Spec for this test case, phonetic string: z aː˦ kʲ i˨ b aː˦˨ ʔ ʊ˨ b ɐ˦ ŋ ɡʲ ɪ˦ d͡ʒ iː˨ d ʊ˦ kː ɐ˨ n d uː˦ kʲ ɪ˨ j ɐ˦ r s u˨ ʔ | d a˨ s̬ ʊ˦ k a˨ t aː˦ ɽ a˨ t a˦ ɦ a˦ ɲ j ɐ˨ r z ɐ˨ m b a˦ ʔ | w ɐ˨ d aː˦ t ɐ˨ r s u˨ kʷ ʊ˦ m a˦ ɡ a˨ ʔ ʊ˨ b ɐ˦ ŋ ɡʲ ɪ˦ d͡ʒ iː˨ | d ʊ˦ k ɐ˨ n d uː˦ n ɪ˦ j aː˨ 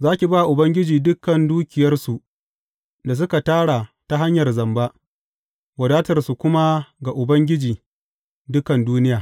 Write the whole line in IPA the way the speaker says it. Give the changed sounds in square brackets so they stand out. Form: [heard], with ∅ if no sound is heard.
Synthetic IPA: z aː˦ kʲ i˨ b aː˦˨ ʔ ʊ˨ b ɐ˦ ŋ ɡʲ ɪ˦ d͡ʒ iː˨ d ʊ˦ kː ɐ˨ n d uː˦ kʲ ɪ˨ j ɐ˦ r s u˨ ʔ | d a˨ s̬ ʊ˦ k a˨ t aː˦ ɽ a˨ t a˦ ɦ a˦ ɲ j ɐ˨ r z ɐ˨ m b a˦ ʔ | w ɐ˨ d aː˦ t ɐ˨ r s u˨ kʷ ʊ˦ m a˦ ɡ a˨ ʔ ʊ˨ b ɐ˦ ŋ ɡʲ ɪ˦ d͡ʒ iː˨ | d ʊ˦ k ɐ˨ n d uː˦ n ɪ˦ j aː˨

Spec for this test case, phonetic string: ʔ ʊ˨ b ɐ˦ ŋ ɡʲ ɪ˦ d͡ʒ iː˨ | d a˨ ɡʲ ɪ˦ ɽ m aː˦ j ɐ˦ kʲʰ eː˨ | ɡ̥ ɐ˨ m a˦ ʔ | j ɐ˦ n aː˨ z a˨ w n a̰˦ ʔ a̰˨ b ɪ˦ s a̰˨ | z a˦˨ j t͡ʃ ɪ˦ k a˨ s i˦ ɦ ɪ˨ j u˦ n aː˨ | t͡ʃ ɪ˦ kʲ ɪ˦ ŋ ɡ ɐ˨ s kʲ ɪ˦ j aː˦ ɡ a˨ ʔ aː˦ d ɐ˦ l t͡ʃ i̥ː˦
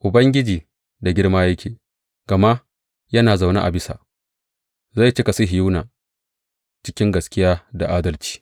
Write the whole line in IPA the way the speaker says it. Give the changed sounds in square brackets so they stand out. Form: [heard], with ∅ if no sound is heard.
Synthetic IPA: ʔ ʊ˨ b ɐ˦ ŋ ɡʲ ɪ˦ d͡ʒ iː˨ | d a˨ ɡʲ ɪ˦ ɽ m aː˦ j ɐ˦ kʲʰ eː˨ | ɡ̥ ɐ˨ m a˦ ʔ | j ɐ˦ n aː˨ z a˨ w n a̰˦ ʔ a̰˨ b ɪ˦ s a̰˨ | z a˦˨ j t͡ʃ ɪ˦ k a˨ s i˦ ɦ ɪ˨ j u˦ n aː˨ | t͡ʃ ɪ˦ kʲ ɪ˦ ŋ ɡ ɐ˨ s kʲ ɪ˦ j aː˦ [d] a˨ ʔ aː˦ d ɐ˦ l t͡ʃ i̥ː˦

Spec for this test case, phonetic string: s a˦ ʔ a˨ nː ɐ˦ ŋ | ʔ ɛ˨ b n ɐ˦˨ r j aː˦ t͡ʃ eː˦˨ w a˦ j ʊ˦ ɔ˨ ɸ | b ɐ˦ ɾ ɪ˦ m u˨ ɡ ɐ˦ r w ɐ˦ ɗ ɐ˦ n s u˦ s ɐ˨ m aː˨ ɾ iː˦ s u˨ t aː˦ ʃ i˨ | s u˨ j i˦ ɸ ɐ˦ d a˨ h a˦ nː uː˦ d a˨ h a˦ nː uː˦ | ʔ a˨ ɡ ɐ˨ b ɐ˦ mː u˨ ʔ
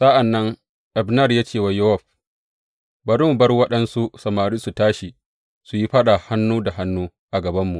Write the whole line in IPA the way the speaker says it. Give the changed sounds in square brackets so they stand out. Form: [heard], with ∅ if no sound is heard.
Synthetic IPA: s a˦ ʔ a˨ nː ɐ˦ ŋ | ʔ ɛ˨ b n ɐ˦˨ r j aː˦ t͡ʃ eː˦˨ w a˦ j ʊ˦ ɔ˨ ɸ | b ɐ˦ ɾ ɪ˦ m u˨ [b] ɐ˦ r w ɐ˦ ɗ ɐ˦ n s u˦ s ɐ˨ m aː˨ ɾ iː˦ s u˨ t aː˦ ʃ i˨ | s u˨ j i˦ ɸ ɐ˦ [ɗ] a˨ h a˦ nː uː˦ d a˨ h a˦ nː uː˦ | ʔ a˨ ɡ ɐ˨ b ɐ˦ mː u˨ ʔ

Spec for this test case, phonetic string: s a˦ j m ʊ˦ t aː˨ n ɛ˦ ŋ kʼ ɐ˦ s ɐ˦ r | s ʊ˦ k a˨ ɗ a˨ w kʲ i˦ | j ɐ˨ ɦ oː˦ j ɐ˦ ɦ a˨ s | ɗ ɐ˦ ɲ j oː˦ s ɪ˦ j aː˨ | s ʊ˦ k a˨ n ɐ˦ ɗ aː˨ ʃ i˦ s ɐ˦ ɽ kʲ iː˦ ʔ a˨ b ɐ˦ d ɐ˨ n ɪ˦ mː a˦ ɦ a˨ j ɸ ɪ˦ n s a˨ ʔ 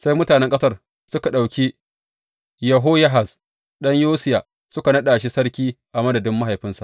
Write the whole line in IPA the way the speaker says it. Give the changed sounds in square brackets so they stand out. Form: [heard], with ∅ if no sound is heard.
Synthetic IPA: s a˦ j m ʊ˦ t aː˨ n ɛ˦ ŋ kʼ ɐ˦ s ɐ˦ r | s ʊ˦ k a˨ ɗ a˨ w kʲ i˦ | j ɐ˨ ɦ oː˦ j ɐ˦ ɦ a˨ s | ɗ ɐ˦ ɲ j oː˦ s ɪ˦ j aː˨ | s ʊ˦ k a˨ n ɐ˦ ɗ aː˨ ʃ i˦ s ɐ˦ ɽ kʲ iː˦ ʔ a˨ [m] ɐ˦ d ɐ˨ [d] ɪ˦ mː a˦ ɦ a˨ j ɸ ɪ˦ n s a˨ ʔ

